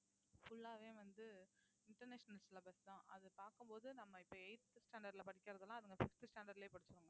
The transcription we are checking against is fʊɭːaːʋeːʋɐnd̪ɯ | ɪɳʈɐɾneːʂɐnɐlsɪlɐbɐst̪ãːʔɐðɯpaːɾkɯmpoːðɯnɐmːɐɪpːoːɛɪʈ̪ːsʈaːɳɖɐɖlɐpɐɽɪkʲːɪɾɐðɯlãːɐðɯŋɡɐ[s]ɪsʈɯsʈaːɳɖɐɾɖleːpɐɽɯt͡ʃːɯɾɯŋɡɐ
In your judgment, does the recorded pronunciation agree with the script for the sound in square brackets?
no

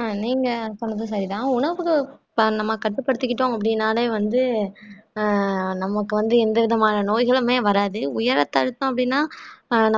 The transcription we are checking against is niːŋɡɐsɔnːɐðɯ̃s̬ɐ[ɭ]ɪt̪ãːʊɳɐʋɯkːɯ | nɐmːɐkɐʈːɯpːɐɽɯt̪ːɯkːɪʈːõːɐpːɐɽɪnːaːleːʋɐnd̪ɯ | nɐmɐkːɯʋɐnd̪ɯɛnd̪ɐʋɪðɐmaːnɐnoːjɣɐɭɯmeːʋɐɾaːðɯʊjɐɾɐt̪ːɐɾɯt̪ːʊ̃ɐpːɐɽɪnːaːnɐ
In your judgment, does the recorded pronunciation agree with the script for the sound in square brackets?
no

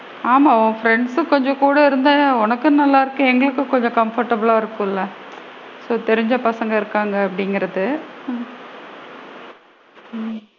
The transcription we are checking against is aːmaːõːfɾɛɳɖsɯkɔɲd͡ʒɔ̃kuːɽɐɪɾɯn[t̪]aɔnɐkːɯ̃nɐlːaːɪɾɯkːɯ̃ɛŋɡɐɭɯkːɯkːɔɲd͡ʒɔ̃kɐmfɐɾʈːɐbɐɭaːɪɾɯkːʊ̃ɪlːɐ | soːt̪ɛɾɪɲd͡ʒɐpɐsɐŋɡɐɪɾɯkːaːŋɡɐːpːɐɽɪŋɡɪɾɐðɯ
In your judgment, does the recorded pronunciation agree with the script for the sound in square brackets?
no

